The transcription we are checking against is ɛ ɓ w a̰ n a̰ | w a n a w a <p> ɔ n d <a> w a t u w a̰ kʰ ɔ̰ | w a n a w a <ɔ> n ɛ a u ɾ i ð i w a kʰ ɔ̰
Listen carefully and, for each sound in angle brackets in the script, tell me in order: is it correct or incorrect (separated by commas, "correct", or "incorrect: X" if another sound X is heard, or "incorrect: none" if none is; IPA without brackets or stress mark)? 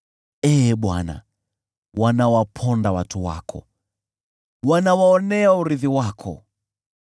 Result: incorrect: pʰ, correct, correct